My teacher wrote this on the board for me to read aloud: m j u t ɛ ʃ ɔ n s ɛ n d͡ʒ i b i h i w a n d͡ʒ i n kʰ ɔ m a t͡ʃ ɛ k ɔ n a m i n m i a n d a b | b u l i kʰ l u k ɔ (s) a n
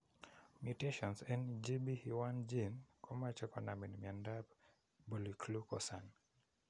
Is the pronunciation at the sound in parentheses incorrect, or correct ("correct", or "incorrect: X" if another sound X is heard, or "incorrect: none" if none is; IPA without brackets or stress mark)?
correct